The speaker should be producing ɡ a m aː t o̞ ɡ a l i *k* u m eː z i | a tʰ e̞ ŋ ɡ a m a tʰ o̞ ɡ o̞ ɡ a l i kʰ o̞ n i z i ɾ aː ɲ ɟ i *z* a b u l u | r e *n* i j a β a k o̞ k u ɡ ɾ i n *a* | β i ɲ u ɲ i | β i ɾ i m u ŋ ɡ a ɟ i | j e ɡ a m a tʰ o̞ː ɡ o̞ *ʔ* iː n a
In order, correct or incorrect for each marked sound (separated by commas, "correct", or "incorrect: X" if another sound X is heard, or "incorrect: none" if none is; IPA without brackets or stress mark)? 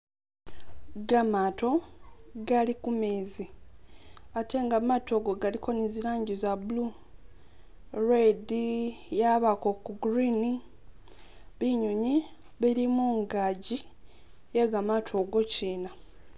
correct, correct, incorrect: d, incorrect: i, incorrect: c